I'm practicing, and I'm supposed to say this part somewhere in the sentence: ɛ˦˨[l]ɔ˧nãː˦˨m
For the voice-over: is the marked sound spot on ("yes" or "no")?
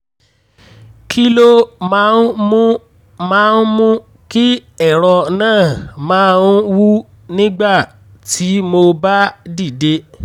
no